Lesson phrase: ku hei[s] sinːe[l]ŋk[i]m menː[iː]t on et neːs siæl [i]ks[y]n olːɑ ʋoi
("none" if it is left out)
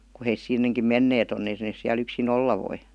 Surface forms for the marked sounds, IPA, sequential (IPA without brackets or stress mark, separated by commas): s, none, i, eː, y, i